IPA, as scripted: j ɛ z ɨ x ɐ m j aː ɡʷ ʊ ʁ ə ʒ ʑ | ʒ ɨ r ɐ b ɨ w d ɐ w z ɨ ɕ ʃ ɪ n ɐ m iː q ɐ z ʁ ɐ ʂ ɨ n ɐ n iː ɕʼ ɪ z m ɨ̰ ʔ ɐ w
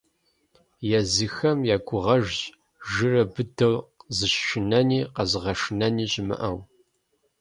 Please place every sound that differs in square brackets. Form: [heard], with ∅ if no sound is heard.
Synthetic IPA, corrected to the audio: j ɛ z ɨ x ɐ m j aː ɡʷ ʊ ʁ [ɐ] ʒ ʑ | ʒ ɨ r ɐ b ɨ [∅] d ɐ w z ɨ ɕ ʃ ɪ n ɐ [n] iː q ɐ z ʁ ɐ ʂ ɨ n ɐ n iː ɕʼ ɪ [∅] m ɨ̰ ʔ ɐ w